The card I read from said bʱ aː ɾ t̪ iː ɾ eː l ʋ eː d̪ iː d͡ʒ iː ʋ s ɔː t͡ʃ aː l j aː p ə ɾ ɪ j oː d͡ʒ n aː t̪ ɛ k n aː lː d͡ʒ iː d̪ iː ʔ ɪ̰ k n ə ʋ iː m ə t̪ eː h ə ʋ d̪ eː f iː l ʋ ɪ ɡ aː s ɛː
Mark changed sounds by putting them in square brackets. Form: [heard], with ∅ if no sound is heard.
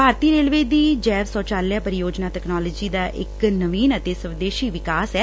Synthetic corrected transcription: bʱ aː ɾ t̪ iː ɾ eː l ʋ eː d̪ iː d͡ʒ [ɛː] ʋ s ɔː t͡ʃ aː l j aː p ə ɾ ɪ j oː d͡ʒ n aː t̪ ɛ k n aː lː d͡ʒ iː d̪ [aː] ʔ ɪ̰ k n ə ʋ iː [n] ə t̪ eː [s] ə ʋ d̪ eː [ʃ] iː [∅] ʋ ɪ [k] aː s ɛː